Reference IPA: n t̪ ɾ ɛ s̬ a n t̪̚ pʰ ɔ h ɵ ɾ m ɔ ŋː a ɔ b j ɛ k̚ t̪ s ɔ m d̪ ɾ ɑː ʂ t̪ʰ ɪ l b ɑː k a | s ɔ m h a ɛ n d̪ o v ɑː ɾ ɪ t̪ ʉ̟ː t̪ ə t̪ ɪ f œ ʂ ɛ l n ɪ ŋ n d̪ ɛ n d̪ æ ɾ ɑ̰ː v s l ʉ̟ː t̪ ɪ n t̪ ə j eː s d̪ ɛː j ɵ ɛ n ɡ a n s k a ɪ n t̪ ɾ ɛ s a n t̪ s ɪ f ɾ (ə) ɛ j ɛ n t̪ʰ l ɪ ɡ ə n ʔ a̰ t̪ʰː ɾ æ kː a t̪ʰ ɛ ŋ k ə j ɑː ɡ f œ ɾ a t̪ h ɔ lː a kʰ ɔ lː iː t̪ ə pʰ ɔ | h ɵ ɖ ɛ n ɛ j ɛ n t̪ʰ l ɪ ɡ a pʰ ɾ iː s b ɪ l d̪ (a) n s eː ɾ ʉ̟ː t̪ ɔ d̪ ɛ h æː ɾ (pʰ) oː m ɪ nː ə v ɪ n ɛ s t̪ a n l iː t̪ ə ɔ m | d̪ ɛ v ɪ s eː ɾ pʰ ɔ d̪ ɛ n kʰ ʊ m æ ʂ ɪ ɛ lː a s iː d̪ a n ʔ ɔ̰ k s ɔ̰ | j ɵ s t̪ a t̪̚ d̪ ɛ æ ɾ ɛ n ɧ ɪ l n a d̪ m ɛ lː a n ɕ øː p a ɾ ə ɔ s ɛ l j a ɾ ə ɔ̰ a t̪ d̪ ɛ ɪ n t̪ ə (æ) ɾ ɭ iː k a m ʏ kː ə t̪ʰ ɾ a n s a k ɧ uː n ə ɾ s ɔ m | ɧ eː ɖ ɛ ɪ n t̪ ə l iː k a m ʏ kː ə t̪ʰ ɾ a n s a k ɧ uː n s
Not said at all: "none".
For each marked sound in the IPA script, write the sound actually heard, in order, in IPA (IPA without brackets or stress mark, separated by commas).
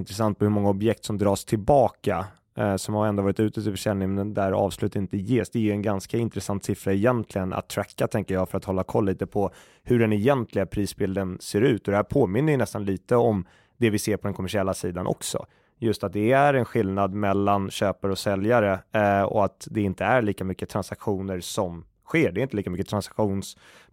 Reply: a, ə, pʰ, æ